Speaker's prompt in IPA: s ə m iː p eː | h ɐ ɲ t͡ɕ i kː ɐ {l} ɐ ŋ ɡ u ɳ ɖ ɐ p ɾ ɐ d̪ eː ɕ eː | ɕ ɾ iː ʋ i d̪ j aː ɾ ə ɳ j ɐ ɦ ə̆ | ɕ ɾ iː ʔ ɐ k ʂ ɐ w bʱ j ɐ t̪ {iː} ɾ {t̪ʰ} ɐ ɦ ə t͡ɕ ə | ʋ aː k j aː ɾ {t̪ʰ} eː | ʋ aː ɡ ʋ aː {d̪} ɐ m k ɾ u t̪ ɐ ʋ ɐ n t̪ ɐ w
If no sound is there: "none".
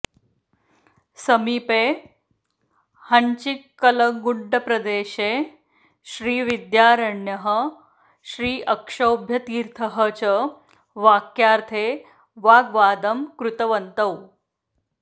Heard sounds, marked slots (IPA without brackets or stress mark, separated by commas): l, iː, t̪ʰ, t̪ʰ, d̪